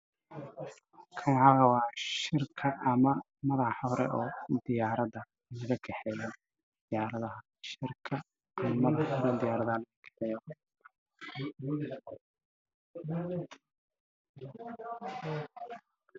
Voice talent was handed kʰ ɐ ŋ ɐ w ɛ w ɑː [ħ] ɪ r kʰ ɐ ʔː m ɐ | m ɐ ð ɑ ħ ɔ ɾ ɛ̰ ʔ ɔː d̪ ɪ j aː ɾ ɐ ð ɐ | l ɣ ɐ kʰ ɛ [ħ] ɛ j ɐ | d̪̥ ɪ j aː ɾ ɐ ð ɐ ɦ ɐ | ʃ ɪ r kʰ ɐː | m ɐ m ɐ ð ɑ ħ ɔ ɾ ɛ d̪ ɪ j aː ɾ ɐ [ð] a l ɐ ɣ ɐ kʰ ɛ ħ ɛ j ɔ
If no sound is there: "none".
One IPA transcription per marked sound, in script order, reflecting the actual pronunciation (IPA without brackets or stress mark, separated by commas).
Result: ʃ, ħ, ð